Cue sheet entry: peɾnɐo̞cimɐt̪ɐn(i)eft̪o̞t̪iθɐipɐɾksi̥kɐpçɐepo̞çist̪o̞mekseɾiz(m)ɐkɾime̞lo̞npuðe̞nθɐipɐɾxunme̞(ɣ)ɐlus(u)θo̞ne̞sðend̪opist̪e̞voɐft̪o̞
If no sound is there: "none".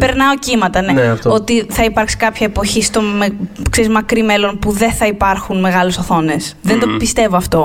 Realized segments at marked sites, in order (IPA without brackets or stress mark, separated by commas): e, m, ɣ, o